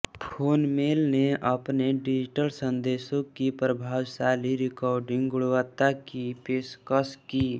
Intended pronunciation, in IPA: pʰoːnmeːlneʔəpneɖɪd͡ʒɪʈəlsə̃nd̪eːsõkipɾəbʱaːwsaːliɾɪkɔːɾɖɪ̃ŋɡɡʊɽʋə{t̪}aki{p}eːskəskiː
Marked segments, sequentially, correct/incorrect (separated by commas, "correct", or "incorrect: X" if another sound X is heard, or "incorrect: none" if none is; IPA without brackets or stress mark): correct, correct